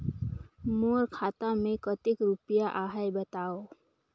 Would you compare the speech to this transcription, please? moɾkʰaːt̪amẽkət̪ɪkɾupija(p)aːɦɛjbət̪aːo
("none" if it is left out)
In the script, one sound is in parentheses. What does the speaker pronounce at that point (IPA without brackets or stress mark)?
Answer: ʔ